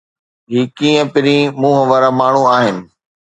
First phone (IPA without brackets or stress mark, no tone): ɦ